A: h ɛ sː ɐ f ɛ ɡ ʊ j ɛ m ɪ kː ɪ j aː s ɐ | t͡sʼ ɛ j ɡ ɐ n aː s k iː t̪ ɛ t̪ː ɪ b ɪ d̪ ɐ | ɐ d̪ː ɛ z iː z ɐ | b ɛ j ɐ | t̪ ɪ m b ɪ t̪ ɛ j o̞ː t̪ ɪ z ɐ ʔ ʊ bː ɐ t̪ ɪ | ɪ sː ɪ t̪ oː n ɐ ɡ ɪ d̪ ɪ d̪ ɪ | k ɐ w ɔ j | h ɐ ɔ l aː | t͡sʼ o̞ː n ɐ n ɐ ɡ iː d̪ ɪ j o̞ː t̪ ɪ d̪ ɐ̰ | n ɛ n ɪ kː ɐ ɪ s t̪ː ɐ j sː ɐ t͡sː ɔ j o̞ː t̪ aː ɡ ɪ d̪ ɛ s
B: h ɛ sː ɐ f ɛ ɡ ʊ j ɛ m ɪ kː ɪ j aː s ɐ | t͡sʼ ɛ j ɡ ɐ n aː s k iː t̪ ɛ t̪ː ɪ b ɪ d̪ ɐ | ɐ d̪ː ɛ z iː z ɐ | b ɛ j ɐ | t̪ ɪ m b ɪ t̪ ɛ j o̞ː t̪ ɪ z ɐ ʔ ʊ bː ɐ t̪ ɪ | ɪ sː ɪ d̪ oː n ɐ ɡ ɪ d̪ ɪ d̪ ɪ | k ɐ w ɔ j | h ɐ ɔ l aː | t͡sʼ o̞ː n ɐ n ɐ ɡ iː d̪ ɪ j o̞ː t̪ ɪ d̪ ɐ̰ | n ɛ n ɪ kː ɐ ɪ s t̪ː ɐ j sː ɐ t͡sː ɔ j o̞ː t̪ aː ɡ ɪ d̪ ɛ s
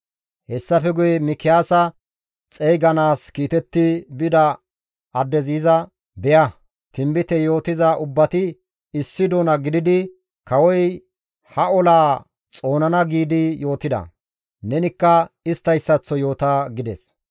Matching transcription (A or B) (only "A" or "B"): B